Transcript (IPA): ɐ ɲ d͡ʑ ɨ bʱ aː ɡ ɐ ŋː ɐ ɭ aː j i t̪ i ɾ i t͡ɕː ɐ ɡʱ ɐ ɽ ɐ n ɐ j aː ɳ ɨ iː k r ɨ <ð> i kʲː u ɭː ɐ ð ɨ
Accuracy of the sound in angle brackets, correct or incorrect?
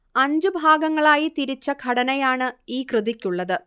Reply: correct